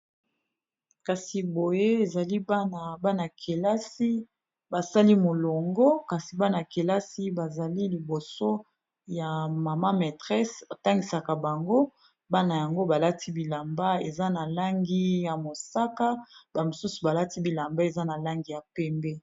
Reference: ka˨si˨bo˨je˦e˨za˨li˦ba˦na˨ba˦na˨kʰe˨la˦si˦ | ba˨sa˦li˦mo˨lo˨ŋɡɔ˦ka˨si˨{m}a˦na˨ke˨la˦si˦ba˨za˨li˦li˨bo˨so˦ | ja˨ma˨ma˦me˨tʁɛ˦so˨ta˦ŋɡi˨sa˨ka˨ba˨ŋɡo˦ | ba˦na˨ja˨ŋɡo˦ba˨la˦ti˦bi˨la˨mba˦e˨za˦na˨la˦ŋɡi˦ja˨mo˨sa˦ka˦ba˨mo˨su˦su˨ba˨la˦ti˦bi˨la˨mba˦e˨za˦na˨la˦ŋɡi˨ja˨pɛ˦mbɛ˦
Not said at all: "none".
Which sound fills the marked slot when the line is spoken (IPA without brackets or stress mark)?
b